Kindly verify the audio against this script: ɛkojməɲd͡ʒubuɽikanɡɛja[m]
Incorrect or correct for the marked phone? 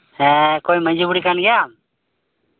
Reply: correct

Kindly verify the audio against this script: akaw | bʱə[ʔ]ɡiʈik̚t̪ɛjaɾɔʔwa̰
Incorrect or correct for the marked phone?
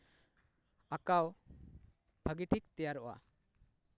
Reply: incorrect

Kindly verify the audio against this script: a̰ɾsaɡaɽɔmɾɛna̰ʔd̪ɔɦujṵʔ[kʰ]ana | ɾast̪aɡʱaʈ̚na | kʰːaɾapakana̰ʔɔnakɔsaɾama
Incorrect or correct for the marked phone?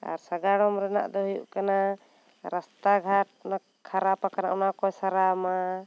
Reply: incorrect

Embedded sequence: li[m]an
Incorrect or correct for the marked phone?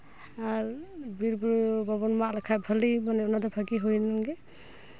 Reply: correct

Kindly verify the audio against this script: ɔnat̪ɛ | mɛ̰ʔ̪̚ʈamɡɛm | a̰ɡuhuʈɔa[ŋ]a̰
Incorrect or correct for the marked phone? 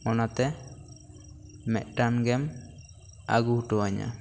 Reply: incorrect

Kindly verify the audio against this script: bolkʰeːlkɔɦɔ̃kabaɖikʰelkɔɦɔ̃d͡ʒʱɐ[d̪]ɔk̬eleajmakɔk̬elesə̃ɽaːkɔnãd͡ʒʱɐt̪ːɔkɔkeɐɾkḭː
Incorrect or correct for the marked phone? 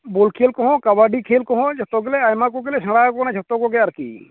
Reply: incorrect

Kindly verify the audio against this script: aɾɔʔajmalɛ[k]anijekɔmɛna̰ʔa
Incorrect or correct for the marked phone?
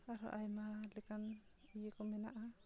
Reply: correct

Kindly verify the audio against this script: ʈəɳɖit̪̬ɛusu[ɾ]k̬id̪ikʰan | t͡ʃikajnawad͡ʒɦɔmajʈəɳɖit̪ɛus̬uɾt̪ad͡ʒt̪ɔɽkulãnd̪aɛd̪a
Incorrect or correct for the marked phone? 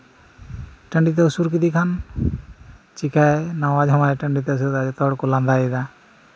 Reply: correct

